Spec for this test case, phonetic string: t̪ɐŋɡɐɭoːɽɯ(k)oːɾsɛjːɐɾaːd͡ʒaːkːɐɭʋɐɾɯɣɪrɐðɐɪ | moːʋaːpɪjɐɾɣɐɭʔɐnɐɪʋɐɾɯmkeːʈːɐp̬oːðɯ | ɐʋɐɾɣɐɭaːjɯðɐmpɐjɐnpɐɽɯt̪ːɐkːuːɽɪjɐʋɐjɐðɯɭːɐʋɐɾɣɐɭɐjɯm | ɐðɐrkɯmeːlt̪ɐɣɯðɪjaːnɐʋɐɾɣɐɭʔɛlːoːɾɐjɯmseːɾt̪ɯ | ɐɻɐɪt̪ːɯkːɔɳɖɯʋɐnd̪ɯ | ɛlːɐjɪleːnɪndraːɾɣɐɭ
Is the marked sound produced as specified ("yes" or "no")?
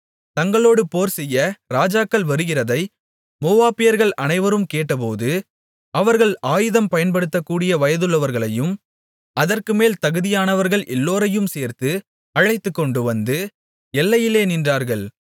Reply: no